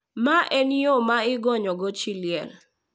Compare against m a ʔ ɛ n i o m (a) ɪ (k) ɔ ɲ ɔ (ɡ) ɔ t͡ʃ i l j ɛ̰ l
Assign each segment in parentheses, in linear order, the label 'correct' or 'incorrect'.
correct, incorrect: ɡ, correct

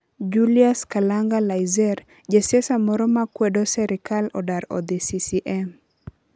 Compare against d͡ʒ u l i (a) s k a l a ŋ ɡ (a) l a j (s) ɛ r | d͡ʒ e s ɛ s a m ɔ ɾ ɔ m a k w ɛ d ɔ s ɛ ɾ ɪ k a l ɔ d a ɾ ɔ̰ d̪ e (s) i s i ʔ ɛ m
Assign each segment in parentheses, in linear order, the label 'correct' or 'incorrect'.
correct, correct, incorrect: z, correct

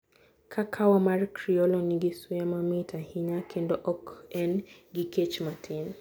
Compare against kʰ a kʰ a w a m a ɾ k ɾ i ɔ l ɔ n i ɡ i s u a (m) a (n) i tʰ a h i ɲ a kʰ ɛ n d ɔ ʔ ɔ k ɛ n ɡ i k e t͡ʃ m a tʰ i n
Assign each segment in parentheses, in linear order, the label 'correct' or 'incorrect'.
correct, incorrect: m

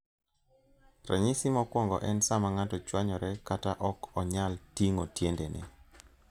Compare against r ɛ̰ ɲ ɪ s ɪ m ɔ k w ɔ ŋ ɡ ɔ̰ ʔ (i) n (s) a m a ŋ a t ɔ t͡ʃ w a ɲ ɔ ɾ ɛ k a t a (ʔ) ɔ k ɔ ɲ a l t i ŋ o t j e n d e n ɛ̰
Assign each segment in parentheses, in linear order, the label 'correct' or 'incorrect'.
incorrect: ɛ, correct, correct

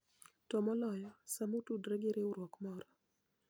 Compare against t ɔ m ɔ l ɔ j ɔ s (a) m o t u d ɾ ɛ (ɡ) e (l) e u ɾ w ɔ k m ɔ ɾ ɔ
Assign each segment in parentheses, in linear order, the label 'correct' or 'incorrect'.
correct, correct, incorrect: ɾ

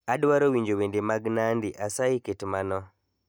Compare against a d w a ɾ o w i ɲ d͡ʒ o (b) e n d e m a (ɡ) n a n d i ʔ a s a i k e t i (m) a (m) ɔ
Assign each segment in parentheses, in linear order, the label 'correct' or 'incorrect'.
incorrect: w, correct, correct, incorrect: n

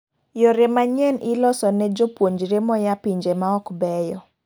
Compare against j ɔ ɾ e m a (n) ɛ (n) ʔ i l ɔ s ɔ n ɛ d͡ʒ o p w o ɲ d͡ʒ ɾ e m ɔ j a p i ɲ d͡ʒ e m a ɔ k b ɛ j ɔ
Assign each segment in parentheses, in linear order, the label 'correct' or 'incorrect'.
incorrect: ɲ, correct

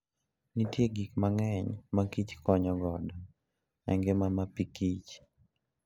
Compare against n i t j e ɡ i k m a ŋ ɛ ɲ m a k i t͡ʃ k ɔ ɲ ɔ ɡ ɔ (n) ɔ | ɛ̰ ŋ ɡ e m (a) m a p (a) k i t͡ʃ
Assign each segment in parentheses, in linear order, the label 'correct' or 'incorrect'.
incorrect: d, correct, incorrect: i

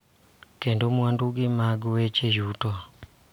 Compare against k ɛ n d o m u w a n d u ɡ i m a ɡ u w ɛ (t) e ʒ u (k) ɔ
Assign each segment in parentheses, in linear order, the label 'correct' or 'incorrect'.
incorrect: t͡ʃ, incorrect: t

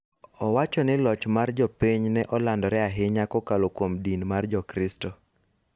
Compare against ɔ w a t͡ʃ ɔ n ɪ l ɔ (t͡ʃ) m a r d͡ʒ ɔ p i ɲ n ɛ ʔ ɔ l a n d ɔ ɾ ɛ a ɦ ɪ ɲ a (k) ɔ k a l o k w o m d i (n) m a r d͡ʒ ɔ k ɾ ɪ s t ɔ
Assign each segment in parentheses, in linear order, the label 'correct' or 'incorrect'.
correct, correct, correct

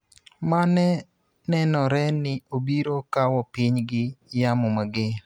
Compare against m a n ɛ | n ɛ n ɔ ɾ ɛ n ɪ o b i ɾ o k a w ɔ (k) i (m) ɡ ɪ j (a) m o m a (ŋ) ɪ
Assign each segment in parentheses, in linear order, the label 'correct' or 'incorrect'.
incorrect: p, incorrect: ɲ, correct, incorrect: ɡ

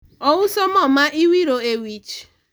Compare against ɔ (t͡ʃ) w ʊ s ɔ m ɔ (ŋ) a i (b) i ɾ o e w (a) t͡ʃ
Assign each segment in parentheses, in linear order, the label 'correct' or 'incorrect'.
incorrect: none, incorrect: m, incorrect: w, incorrect: i

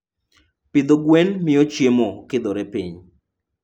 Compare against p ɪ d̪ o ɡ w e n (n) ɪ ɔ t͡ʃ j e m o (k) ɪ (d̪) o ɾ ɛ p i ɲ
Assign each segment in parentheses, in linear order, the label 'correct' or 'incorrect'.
incorrect: m, correct, correct

